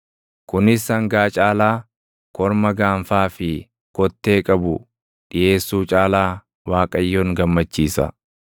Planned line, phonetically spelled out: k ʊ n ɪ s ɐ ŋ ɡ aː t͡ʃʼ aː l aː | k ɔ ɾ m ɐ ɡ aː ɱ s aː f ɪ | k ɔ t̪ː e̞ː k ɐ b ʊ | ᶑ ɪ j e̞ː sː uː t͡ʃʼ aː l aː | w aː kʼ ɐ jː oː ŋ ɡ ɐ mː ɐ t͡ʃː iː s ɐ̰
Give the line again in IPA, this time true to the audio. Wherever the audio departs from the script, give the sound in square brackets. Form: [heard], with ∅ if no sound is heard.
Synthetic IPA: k ʊ n ɪ s ɐ ŋ ɡ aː t͡ʃʼ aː l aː | k ɔ ɾ m ɐ ɡ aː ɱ [f] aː f ɪ | k ɔ t̪ː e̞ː [kʼ] ɐ b ʊ | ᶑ ɪ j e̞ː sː uː t͡ʃʼ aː l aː | w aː kʼ ɐ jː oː ŋ ɡ ɐ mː ɐ t͡ʃː iː s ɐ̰